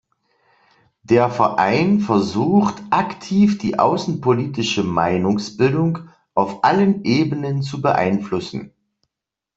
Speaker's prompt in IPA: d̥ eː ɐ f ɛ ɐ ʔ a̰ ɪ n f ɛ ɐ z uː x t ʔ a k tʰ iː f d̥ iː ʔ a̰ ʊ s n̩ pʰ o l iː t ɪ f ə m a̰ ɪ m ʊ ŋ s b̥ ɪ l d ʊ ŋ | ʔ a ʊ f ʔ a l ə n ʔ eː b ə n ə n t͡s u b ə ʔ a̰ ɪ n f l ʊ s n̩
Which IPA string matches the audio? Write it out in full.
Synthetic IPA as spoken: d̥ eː ɐ f ɛ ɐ ʔ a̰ ɪ n f ɛ ɐ z uː x t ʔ a k tʰ iː f d̥ iː ʔ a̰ ʊ s n̩ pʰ o l iː t ɪ ʃ ə m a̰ ɪ n ʊ ŋ s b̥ ɪ l d ʊ ŋ | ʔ a ʊ f ʔ a l ə n ʔ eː b ə n ə n t͡s u b ə ʔ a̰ ɪ n f l ʊ s n̩